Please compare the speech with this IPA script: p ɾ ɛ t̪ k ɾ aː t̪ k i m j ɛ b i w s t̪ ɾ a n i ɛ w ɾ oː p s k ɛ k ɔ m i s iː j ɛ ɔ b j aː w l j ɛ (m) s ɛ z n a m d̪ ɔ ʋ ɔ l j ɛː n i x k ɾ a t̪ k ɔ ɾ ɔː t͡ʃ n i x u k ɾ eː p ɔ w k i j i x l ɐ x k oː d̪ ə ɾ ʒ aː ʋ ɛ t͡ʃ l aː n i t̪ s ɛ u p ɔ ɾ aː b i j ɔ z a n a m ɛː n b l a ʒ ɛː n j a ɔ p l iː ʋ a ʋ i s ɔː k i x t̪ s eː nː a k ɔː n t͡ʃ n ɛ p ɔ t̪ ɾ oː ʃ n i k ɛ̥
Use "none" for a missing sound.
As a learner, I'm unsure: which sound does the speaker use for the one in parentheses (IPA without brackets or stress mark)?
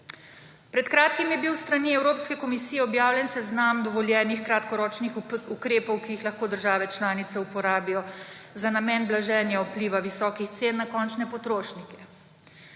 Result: n